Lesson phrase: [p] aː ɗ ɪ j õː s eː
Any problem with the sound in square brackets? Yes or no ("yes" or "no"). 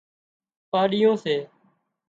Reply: no